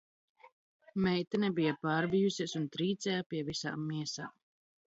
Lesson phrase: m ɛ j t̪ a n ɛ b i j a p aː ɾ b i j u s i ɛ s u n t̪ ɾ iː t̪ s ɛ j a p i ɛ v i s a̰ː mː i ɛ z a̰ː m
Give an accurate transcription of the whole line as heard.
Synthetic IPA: m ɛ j t̪ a n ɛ b i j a p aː ɾ b i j u s i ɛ s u n t̪ ɾ iː t̪ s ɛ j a p i ɛ v i s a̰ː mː i ɛ s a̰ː m